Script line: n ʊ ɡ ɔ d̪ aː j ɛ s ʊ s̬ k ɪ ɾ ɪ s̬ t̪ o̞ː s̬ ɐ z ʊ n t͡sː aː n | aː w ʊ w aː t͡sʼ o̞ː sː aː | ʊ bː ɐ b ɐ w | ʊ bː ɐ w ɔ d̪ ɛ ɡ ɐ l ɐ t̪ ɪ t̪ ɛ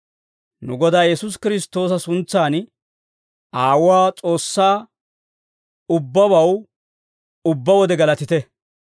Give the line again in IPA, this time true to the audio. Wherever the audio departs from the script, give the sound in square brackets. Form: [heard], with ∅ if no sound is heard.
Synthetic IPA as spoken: n ʊ ɡ ɔ d̪ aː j ɛ s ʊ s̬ k ɪ ɾ ɪ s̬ t̪ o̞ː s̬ ɐ [s] ʊ n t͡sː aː n | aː w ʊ w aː t͡sʼ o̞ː sː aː | ʊ bː ɐ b ɐ w | ʊ bː ɐ w ɔ d̪ ɛ ɡ ɐ l ɐ t̪ ɪ t̪ ɛ